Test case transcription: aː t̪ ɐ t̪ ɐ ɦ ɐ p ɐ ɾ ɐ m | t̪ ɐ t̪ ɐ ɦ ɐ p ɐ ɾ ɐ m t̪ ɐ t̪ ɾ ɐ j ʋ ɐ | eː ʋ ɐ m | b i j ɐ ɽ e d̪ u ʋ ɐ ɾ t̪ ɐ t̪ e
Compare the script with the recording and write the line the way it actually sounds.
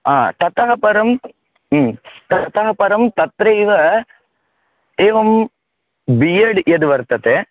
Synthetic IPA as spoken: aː t̪ ɐ t̪ ɐ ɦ ɐ p ɐ ɾ ɐ m | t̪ ɐ t̪ ɐ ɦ ɐ p ɐ ɾ ɐ m t̪ ɐ t̪ ɾ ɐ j ʋ ɐ | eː ʋ ɐ m | b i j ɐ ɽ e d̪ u ʋ ɐ ɾ t̪ ɐ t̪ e